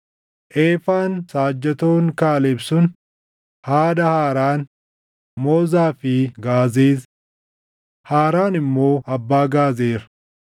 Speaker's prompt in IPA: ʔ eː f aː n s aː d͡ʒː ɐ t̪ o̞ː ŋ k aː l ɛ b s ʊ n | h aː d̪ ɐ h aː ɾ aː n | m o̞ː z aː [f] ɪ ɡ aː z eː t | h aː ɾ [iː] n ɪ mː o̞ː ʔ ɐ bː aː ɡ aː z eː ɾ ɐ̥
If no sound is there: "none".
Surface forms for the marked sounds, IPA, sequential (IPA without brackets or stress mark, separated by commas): f, aː